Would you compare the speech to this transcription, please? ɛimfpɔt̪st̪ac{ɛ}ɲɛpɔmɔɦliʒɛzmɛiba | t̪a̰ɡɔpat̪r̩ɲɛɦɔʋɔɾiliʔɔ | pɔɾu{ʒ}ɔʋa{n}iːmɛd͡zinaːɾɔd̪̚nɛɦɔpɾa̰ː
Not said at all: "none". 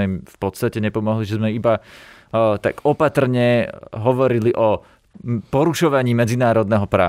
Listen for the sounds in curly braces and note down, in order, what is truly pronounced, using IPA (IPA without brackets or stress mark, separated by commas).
ɛ, ʃ, ɲ